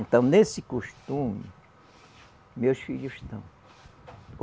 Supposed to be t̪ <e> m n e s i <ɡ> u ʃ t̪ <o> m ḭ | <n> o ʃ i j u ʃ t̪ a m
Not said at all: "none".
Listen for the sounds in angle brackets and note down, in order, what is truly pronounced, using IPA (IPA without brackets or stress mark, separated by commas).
a, k, u, m